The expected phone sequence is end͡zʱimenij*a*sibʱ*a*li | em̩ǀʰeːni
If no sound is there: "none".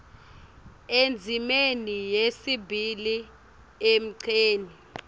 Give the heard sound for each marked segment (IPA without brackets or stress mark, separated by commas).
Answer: e, i